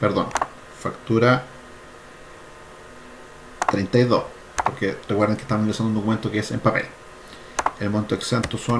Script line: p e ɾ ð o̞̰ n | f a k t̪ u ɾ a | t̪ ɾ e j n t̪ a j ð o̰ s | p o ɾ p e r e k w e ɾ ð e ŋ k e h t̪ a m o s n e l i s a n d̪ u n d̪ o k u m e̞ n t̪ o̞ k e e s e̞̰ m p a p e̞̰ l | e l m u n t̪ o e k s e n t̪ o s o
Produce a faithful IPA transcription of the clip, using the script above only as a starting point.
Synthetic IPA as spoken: p e ɾ ð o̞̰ n | f a k t̪ u ɾ a | t̪ ɾ e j n t̪ a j ð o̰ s | p o ɾ k e r e k w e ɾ ð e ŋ k e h t̪ a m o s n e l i s a n d̪ u n d̪ o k u m e̞ n t̪ o̞ k e e s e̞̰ m p a p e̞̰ l | e l m o n t̪ o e k s e n t̪ o s o